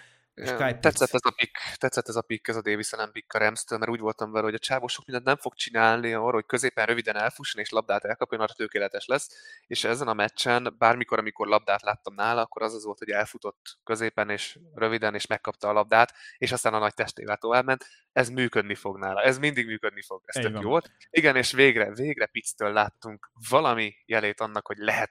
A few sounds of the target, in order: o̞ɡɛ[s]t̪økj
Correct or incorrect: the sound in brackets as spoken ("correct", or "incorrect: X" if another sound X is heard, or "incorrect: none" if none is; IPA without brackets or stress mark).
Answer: correct